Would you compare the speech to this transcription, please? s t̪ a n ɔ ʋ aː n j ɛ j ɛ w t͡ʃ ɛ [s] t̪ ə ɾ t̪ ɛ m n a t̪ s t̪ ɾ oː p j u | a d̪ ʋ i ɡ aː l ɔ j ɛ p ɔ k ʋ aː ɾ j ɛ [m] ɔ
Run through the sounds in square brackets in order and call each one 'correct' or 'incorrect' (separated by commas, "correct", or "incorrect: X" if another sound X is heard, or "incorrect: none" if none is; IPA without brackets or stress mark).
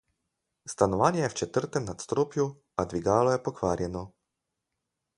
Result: incorrect: none, incorrect: n